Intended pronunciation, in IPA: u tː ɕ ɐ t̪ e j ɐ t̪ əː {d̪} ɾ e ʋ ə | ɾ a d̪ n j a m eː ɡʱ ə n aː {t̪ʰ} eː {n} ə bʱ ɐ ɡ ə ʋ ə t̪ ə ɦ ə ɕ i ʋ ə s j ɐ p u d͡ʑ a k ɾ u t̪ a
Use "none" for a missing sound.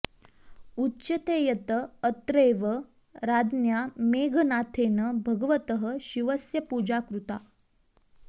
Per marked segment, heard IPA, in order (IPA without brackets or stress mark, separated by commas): t̪, t̪ʰ, n